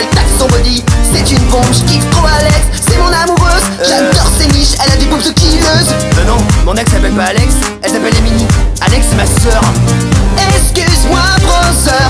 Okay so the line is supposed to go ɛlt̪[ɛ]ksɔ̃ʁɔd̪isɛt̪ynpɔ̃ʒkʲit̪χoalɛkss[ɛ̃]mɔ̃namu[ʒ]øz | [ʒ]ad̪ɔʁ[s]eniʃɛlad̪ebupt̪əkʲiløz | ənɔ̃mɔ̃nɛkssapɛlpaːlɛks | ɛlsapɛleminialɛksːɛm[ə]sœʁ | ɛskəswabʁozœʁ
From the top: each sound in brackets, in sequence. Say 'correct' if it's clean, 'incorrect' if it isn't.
incorrect: a, incorrect: ɛ, incorrect: ʁ, correct, correct, incorrect: a

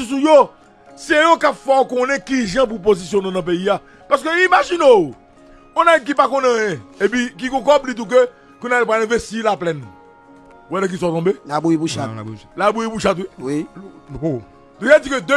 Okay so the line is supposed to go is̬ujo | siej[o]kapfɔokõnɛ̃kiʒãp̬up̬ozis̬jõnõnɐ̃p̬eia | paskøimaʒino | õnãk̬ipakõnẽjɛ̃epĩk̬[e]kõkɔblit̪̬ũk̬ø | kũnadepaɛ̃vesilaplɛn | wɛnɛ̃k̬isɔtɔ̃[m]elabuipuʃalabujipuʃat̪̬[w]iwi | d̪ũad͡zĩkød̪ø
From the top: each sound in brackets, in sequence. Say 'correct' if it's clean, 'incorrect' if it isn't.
correct, incorrect: i, incorrect: b, correct

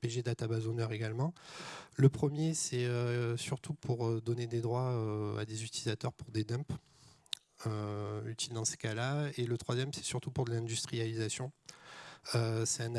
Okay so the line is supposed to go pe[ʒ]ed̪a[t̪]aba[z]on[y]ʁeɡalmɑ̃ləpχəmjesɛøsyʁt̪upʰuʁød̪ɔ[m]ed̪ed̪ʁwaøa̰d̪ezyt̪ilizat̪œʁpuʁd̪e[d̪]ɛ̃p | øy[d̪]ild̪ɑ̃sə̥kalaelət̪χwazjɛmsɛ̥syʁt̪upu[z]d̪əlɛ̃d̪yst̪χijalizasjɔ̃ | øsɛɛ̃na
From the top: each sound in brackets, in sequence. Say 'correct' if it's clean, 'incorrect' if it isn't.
correct, correct, correct, incorrect: œ, incorrect: n, correct, incorrect: t̪, incorrect: ʁ

